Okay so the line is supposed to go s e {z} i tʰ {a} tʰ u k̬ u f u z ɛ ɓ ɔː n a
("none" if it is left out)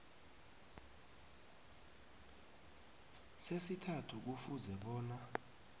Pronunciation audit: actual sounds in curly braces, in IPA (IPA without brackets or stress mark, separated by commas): s, a